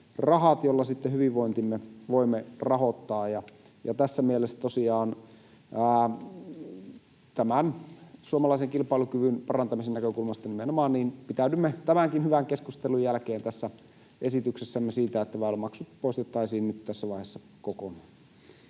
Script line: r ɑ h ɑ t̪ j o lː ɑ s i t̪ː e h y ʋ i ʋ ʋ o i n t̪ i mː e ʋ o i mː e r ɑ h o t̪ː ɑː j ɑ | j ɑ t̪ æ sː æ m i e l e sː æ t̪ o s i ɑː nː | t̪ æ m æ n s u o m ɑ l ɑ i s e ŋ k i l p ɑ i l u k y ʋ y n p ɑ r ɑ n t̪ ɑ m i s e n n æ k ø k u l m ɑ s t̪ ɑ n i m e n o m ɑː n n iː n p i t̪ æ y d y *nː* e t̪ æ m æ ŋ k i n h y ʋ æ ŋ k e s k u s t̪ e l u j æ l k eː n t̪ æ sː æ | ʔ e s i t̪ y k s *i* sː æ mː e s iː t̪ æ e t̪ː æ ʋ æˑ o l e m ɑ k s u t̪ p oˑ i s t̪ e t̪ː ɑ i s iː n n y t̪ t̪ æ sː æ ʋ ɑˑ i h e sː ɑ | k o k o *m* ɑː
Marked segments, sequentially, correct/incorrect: incorrect, incorrect, incorrect

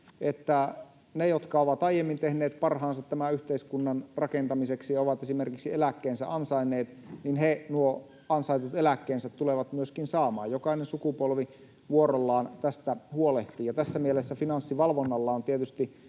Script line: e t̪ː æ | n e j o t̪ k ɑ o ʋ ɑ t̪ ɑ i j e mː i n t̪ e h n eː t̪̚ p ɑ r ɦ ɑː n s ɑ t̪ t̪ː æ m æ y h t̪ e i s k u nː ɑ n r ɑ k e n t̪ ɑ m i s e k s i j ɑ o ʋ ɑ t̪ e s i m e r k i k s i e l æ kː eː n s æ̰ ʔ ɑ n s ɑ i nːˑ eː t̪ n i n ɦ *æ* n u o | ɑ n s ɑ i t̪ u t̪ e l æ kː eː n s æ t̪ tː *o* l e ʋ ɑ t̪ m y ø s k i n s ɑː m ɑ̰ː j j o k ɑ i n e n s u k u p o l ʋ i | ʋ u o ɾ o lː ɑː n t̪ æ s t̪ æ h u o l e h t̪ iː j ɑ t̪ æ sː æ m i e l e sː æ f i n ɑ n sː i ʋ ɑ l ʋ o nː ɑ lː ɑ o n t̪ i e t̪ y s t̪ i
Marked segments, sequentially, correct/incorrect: incorrect, incorrect

